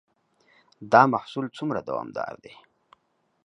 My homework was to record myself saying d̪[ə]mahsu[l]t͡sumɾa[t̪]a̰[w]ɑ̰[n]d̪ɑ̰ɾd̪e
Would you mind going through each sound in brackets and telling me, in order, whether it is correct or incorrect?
incorrect: ɑ, correct, incorrect: d̪, correct, incorrect: m

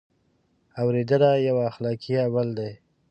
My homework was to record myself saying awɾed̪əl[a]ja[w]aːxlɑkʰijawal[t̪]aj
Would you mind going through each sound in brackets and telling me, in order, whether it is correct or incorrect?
correct, correct, incorrect: d̪

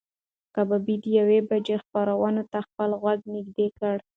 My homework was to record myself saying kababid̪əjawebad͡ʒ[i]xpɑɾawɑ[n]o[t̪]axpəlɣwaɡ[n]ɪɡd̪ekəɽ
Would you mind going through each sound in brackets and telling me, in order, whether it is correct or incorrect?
incorrect: e, correct, correct, correct

